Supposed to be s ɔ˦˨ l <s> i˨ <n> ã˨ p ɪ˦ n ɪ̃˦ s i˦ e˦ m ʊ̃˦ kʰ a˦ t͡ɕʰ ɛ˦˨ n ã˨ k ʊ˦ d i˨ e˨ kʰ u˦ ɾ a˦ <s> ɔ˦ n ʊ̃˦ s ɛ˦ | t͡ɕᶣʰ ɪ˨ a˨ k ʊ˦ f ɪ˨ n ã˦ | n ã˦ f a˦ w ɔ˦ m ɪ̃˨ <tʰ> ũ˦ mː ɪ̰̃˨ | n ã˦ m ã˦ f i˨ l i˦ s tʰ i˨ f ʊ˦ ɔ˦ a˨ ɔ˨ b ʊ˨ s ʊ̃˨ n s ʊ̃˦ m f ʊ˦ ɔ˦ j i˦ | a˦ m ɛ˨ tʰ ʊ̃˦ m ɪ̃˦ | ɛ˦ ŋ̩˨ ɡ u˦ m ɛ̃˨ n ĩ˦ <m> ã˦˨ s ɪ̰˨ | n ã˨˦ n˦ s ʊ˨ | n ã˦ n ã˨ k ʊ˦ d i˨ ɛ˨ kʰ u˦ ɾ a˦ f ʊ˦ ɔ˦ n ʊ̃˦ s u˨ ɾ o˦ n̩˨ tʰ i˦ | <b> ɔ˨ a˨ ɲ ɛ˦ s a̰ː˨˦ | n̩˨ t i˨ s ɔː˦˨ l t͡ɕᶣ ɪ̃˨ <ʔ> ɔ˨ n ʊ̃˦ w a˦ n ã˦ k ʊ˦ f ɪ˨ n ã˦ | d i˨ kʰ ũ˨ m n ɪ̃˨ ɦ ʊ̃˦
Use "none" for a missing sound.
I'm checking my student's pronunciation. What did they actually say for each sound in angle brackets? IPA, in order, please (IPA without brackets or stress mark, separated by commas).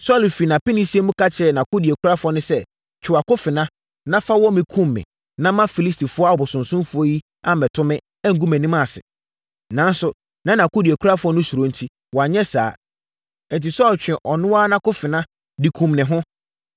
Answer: f, n, f, kʰ, m, w, ʔ